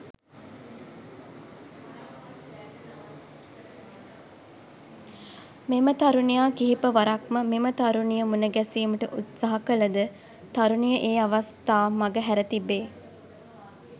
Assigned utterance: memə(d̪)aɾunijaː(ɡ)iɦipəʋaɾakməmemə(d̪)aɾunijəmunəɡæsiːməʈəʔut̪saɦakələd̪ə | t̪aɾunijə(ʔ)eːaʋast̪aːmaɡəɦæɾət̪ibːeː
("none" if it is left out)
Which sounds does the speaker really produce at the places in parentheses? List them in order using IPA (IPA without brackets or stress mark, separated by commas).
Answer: t̪, k, t̪, ʔ